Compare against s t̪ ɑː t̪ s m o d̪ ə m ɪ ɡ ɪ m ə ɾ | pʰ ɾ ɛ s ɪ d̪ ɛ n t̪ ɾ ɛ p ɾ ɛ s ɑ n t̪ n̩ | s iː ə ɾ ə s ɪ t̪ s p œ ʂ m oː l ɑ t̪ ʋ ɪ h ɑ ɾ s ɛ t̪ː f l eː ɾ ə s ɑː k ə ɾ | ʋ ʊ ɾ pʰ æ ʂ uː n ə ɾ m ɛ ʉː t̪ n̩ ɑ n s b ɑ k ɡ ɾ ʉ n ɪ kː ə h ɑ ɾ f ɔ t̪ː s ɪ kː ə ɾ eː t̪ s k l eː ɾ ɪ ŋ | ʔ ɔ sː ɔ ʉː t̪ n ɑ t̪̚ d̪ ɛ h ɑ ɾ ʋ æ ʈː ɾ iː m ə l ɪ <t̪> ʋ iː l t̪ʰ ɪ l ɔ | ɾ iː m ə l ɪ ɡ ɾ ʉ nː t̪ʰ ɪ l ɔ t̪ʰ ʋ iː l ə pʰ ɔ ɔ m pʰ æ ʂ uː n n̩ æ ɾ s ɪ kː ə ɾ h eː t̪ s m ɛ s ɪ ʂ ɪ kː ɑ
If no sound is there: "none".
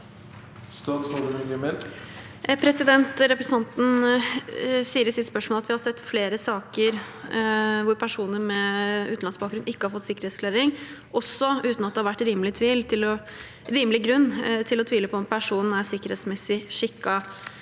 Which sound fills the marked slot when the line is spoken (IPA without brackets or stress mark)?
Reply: t̪ʰ